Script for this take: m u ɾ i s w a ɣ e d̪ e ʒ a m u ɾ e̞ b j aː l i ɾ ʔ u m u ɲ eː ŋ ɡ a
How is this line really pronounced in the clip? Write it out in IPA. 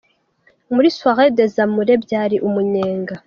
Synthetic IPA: m u ɾ i s w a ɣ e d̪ e z a m u ɾ e̞ b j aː ɾ i ʔ u m u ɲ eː ŋ ɡ a